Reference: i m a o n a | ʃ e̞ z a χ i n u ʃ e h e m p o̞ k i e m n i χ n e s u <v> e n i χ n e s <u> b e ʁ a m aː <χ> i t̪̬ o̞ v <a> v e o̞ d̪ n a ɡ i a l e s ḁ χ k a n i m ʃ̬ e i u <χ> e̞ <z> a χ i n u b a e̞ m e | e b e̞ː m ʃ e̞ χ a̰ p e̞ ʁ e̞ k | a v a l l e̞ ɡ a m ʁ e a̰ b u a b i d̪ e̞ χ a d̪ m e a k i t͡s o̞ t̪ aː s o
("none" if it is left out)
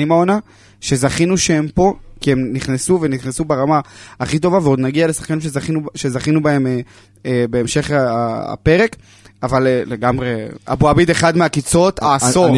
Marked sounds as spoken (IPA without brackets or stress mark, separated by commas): v, u, χ, a, ʃ, z